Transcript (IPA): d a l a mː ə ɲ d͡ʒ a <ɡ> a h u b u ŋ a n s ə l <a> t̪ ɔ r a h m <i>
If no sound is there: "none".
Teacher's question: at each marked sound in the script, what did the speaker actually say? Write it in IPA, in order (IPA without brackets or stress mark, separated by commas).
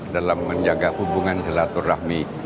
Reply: ɡ, a, i